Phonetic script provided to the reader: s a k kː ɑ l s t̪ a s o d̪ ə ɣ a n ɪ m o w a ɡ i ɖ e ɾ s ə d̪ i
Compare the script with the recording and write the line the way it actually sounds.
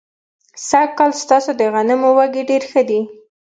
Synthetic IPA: s a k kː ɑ l s t̪ ɑ s o d̪ ə ɣ a n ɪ m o w a ɡ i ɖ e ɾ x ə d̪ i